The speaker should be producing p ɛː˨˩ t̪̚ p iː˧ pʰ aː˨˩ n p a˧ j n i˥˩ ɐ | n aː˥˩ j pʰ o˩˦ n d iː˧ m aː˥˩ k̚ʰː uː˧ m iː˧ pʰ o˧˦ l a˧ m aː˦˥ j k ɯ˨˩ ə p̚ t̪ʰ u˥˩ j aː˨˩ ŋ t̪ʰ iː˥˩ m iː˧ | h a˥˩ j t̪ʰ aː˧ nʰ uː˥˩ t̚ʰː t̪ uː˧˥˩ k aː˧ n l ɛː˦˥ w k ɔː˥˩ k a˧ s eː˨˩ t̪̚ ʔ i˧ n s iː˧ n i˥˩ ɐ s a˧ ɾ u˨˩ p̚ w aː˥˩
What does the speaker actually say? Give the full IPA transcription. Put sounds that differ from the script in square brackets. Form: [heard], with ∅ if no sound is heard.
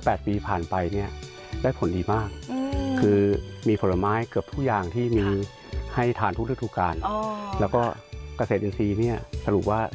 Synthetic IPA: p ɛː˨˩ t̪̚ p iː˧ pʰ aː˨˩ n p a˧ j n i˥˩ ɐ | [d] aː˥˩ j pʰ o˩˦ n d iː˧ m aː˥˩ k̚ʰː [ɯː˧] m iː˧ pʰ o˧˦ l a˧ m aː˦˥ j k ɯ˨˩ ə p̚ t̪ʰ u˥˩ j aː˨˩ ŋ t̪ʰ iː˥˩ m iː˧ | h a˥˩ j t̪ʰ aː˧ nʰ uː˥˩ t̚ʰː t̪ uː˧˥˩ k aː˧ n l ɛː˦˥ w k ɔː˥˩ k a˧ s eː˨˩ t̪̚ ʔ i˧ n s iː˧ n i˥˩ ɐ s a˧ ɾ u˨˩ p̚ w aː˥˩

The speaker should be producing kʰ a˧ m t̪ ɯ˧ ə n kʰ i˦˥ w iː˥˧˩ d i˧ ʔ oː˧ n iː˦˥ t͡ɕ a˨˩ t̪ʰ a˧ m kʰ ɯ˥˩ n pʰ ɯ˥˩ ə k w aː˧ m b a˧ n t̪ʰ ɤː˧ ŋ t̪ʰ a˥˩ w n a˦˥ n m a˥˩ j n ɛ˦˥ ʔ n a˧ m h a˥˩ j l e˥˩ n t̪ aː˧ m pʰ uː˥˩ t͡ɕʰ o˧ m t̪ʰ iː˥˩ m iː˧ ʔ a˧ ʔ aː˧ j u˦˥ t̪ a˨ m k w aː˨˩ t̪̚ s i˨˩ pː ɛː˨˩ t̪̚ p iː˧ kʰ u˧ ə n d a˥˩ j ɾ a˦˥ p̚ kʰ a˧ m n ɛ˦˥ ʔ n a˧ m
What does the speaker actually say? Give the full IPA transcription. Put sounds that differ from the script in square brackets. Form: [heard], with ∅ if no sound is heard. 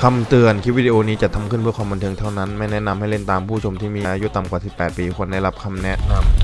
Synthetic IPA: kʰ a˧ m t̪ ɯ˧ ə n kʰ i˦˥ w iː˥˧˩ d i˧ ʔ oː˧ n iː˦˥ t͡ɕ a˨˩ t̪ʰ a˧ m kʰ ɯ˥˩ n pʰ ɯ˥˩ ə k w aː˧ m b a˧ n t̪ʰ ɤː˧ ŋ t̪ʰ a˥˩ w n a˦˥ n m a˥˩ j n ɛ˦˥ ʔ n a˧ m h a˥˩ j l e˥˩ n t̪ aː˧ m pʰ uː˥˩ t͡ɕʰ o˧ m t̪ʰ iː˥˩ m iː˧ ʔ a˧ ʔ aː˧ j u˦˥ t̪ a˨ m k w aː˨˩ [∅] s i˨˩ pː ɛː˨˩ t̪̚ p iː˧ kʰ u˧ ə n d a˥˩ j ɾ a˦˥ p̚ kʰ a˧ m n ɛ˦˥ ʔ n a˧ m

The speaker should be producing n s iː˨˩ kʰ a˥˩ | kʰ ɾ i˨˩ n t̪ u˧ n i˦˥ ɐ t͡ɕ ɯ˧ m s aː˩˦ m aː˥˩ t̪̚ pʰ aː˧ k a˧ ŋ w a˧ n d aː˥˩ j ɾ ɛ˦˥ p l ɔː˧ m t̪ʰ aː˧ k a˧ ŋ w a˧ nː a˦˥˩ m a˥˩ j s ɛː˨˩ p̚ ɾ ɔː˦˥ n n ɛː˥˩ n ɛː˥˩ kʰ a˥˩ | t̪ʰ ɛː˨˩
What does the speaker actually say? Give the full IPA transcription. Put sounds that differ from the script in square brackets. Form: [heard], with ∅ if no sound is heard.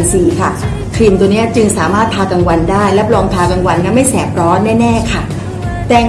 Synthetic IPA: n s iː˨˩ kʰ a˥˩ | kʰ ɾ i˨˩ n t̪ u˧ n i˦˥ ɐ t͡ɕ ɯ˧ [ŋ] s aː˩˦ m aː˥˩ t̪̚ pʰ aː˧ k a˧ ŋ w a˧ n d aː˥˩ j [l] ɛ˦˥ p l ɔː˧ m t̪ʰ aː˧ k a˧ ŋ w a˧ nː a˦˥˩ m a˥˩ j s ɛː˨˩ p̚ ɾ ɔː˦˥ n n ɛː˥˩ n ɛː˥˩ kʰ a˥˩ | [t̪] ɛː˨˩

